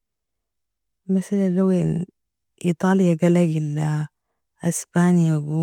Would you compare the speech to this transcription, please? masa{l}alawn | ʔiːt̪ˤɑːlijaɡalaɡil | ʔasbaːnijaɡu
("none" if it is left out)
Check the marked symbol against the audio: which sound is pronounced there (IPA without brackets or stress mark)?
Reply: l